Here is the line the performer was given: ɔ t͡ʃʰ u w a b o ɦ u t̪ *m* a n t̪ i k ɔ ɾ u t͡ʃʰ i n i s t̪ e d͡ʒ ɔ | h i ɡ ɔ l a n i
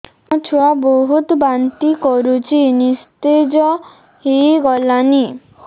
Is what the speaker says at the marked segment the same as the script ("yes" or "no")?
no